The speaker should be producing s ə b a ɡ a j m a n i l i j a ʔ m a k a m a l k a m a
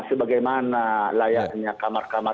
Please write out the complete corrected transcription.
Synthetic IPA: s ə b a ɡ a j m a n a l a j a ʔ ɲ a k a m a r k a m a